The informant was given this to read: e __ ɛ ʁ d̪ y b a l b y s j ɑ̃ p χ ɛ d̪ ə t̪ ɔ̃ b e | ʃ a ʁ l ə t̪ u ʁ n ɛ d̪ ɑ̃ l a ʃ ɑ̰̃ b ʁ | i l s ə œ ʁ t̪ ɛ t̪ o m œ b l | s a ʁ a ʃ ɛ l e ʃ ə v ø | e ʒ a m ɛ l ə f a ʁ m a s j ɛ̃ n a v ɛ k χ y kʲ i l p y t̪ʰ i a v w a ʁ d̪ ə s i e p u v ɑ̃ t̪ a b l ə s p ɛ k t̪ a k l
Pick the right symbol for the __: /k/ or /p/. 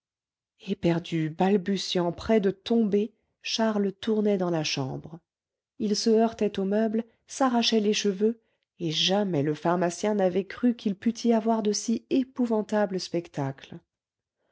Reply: p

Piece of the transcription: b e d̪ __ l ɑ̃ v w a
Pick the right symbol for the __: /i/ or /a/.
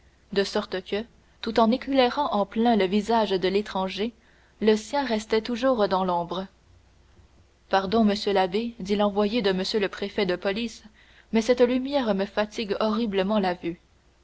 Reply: i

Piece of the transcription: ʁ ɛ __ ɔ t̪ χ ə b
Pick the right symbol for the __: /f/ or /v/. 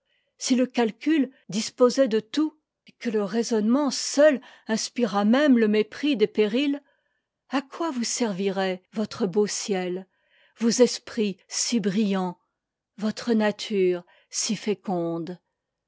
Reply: v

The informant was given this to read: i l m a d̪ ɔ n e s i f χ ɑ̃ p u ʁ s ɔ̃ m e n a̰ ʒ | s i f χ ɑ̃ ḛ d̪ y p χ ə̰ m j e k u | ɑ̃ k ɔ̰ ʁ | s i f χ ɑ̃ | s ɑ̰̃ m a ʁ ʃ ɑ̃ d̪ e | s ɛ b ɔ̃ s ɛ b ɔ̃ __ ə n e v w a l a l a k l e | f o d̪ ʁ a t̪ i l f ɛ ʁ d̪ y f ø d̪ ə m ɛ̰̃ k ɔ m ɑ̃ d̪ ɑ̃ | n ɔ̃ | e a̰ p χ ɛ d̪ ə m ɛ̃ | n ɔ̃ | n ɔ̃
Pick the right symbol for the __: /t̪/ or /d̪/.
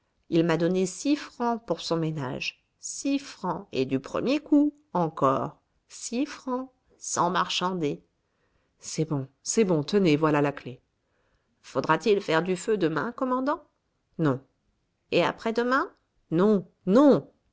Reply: t̪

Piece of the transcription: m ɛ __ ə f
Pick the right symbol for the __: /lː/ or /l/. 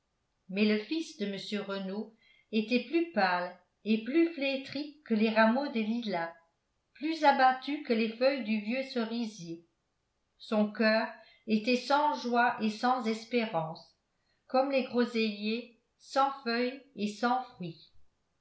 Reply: l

